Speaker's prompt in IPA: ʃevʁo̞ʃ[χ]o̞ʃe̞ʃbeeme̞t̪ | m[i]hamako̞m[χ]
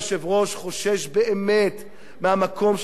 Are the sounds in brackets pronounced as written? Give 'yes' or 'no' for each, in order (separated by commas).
yes, no, no